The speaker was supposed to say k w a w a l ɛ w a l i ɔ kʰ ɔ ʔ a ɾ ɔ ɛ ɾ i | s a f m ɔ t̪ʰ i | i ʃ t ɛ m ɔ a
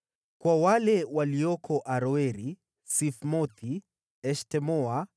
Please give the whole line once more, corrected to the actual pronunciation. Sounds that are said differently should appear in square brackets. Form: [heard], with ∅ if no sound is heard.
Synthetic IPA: k w a w a l ɛ w a l i ɔ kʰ ɔ ʔ a ɾ ɔ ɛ ɾ i | s [i] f m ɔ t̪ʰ i | [ɛ] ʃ t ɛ m ɔ a